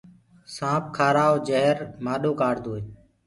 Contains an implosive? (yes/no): yes